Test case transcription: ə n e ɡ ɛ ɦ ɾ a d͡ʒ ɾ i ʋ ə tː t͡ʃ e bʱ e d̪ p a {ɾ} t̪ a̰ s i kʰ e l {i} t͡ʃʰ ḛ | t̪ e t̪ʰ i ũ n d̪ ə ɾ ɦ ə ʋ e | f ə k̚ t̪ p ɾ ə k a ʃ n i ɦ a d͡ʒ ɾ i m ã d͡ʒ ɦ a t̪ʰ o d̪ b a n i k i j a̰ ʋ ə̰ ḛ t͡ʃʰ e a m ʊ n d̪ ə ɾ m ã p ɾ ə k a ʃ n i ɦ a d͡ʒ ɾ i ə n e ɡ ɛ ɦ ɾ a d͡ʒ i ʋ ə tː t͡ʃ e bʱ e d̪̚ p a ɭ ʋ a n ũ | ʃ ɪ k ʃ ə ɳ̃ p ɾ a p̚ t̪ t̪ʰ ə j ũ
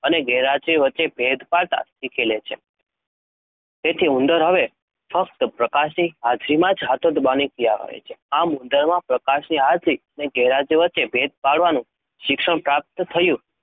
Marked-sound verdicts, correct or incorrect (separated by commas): incorrect, incorrect